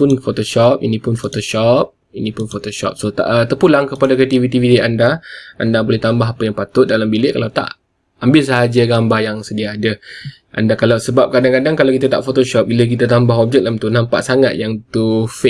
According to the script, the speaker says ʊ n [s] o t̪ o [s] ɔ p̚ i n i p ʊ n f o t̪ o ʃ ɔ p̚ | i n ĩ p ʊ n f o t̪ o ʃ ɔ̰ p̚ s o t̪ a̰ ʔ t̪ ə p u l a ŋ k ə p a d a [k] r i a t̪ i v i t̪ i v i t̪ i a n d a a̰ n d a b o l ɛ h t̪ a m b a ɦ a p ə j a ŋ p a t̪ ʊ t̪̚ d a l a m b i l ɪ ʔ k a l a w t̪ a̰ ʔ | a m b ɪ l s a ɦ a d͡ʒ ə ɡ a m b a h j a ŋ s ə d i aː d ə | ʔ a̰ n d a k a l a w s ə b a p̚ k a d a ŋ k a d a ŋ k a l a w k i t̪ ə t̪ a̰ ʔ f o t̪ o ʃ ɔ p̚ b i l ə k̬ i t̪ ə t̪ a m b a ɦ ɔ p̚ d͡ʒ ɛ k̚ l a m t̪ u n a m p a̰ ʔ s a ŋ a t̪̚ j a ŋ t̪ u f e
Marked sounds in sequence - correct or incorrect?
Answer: incorrect: f, incorrect: ʃ, correct

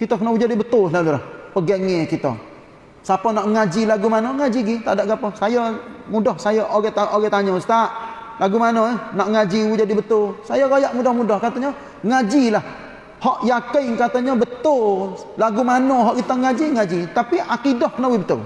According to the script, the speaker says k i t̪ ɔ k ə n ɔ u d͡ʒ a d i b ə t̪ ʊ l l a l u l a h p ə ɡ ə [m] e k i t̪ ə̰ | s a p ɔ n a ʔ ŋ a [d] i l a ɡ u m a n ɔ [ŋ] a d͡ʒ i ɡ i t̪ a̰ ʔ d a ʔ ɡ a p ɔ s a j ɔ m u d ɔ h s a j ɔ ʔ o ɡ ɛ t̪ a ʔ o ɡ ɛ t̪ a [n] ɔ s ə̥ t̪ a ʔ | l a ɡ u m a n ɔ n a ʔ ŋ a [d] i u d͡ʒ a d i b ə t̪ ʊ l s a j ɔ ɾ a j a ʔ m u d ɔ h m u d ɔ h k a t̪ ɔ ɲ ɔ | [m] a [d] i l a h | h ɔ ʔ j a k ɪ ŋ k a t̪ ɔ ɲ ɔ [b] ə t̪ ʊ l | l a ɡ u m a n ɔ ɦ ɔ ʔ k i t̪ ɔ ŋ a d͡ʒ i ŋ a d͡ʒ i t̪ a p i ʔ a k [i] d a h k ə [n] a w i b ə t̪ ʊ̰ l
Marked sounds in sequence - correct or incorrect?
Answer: incorrect: ŋ, incorrect: d͡ʒ, correct, incorrect: ɲ, incorrect: d͡ʒ, incorrect: ŋ, incorrect: d͡ʒ, correct, correct, correct

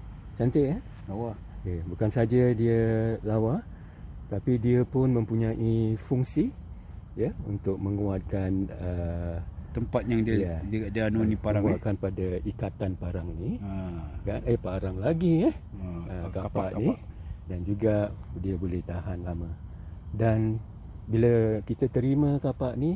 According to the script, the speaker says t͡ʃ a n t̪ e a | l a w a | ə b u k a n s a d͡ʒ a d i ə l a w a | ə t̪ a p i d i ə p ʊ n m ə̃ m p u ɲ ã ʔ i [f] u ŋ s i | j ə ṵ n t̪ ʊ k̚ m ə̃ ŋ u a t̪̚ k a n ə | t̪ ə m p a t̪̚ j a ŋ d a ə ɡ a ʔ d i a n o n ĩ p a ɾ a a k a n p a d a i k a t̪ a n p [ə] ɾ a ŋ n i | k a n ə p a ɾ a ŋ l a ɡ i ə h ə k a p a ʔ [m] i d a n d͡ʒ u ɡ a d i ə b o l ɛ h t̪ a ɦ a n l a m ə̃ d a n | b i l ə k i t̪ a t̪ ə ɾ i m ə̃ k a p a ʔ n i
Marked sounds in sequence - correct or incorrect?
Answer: correct, incorrect: a, incorrect: n

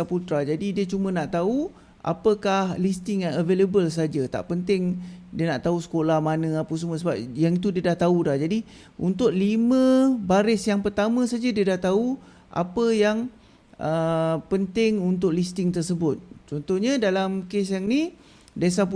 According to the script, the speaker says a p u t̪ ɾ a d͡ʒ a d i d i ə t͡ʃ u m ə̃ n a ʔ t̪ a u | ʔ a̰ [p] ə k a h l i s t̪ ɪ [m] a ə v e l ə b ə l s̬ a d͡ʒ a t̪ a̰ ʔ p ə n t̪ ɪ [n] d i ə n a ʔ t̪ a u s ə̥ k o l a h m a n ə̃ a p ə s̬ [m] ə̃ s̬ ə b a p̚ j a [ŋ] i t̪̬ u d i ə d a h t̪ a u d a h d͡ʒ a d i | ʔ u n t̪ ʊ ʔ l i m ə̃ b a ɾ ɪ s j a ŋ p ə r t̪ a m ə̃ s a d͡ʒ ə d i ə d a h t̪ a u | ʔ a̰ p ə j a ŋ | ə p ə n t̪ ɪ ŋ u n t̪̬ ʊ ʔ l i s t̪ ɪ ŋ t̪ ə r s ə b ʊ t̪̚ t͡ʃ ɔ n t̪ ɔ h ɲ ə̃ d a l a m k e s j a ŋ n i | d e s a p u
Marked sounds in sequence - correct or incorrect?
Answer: correct, incorrect: ŋ, incorrect: ŋ, correct, correct

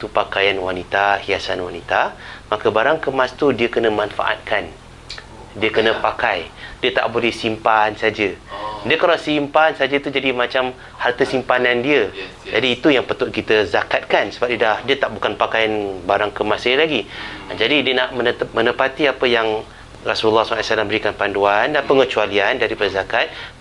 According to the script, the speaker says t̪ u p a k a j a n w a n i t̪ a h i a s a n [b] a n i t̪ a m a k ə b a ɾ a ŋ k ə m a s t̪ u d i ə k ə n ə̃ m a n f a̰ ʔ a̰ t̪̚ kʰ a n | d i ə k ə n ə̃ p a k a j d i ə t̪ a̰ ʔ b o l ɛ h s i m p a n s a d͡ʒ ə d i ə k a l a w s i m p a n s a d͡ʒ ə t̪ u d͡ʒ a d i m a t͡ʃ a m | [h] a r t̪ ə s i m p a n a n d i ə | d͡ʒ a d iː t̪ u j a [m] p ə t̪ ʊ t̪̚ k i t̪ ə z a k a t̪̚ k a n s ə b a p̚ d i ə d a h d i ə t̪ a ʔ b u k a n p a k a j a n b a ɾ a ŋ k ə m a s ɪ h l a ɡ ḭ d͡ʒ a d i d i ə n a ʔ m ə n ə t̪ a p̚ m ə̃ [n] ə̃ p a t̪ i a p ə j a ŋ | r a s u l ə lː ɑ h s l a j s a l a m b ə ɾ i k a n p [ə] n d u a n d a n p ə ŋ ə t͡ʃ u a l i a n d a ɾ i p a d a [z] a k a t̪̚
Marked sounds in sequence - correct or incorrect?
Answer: incorrect: w, correct, incorrect: ŋ, correct, incorrect: a, correct

